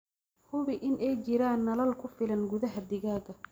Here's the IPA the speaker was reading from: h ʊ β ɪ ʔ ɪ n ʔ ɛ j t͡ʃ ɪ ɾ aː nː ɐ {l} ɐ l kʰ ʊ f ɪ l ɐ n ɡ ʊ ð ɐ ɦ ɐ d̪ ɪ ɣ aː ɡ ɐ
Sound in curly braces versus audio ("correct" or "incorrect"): correct